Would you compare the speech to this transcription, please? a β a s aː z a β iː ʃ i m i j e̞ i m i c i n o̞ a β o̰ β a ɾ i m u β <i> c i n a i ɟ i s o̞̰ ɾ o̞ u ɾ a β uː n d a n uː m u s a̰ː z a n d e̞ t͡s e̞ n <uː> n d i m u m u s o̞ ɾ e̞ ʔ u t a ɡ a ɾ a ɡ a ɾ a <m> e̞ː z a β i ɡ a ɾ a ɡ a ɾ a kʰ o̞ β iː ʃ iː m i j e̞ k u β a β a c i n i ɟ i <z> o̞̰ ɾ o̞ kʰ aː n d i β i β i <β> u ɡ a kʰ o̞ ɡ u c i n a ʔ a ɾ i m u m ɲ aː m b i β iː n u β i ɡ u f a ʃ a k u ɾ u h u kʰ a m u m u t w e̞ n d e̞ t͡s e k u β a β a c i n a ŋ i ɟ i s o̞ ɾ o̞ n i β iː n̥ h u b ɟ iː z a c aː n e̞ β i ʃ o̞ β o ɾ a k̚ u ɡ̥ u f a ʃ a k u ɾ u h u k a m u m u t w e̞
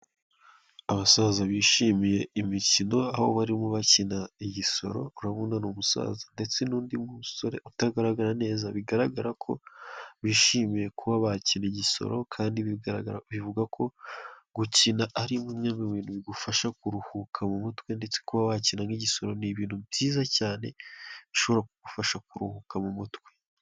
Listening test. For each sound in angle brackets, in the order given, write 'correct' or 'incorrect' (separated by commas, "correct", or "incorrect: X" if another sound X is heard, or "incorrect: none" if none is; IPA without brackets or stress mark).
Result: incorrect: a, correct, incorrect: n, incorrect: s, incorrect: v